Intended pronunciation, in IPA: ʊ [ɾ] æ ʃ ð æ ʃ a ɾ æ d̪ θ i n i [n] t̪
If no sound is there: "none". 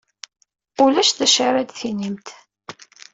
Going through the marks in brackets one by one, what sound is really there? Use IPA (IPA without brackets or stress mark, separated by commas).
l, m